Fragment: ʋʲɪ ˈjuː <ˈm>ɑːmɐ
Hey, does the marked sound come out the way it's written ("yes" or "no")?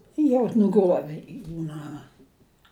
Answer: no